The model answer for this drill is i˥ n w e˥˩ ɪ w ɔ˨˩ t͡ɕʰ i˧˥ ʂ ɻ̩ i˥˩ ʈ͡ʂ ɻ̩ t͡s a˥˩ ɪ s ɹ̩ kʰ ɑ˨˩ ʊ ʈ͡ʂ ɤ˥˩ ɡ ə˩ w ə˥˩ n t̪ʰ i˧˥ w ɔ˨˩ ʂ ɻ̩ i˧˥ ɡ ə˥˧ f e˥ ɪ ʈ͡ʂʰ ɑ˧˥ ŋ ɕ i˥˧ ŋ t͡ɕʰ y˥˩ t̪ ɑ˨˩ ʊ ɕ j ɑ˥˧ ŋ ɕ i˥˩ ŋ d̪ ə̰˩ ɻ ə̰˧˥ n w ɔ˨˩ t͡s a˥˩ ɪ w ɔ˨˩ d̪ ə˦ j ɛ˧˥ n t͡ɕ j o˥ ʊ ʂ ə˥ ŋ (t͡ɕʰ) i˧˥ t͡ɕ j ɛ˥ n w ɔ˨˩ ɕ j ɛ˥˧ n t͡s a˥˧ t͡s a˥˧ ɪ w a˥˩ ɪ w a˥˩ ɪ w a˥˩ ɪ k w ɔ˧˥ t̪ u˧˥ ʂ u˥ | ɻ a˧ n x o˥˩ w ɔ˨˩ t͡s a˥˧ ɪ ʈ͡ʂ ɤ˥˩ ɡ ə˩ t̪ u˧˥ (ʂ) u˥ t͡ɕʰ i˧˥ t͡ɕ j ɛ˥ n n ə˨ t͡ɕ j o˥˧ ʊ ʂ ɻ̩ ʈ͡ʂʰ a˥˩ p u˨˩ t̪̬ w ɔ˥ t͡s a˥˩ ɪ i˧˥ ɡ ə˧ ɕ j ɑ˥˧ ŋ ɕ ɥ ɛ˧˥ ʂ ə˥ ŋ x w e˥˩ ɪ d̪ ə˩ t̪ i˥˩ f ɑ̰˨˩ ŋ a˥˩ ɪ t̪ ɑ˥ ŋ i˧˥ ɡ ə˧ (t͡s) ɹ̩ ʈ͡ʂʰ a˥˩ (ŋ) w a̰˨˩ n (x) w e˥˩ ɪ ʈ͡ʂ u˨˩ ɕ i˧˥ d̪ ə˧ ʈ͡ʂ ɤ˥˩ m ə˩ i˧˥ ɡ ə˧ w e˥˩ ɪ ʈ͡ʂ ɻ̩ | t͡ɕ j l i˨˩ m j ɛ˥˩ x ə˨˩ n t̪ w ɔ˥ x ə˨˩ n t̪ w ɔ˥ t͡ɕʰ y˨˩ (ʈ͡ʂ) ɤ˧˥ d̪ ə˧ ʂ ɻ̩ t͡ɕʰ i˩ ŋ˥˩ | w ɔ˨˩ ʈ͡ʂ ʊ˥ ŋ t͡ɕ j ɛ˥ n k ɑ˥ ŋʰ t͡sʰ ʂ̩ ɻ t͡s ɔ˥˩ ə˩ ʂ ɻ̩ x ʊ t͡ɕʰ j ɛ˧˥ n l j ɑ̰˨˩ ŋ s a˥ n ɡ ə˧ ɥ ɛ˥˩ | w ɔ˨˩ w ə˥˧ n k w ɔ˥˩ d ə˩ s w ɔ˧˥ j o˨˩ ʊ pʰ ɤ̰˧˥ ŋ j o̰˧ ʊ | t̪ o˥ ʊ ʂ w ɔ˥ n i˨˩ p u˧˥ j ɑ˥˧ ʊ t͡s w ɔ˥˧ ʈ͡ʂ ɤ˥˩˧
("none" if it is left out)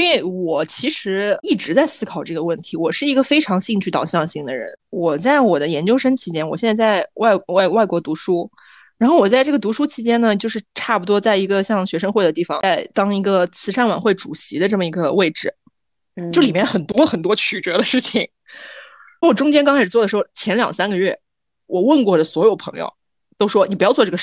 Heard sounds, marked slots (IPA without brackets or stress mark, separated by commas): t͡ɕʰ, ʂ, t͡sʰ, n, x, ʈ͡ʂ